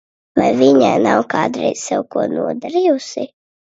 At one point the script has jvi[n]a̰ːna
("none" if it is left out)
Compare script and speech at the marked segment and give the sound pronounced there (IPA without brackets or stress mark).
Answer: ɲ